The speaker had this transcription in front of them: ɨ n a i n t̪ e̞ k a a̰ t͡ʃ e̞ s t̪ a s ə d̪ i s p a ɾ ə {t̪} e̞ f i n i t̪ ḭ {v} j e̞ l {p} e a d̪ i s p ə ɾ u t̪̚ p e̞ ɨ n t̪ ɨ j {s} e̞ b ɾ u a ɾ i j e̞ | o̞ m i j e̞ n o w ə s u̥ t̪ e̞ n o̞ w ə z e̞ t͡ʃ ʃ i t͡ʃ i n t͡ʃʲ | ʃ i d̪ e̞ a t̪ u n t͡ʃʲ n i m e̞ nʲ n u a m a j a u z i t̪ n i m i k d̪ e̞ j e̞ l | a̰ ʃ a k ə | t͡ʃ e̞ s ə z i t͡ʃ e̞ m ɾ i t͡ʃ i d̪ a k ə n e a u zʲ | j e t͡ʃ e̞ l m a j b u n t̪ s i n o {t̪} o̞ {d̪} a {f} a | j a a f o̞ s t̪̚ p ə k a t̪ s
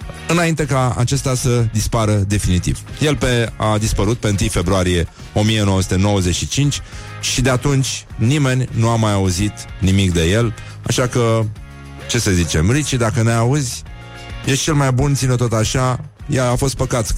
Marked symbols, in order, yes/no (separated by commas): no, yes, yes, no, yes, no, no